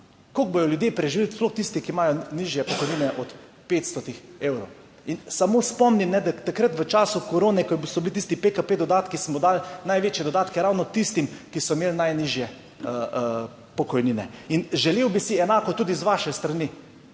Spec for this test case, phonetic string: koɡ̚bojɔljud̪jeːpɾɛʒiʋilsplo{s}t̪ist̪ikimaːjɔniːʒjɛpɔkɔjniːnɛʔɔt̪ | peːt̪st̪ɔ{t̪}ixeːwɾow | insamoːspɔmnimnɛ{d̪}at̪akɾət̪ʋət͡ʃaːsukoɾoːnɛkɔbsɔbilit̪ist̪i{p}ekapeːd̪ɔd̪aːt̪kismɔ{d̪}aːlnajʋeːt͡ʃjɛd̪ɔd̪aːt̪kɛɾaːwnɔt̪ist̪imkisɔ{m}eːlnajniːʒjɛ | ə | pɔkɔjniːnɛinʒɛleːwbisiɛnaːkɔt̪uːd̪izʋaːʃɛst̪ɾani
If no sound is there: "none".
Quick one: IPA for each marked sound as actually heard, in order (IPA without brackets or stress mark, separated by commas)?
x, t̪, d̪, p, d̪, m